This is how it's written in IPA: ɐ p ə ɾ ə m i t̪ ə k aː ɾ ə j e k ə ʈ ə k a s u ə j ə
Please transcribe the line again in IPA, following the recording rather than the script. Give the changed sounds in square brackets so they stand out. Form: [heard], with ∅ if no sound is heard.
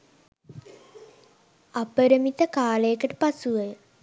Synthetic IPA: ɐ p ə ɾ ə m i t̪ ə k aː [l] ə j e k ə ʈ ə [p] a s u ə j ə